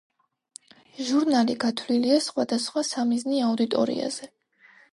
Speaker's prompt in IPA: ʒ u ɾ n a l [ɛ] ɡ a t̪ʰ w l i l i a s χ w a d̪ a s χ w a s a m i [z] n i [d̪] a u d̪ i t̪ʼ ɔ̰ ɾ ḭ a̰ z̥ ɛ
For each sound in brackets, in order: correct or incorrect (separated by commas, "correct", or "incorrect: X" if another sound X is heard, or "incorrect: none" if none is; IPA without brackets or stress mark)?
incorrect: i, correct, incorrect: none